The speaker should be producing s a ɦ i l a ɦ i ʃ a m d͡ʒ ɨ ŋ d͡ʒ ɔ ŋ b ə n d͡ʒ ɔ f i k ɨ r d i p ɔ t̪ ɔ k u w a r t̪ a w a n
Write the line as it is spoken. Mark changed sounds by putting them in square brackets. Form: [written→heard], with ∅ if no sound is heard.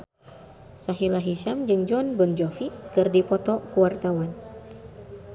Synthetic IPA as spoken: s a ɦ i l a ɦ i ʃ a m d͡ʒ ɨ ŋ d͡ʒ ɔ [ŋ→n] b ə n d͡ʒ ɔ f i k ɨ r d i p ɔ t̪ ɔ k u w a r t̪ a w a n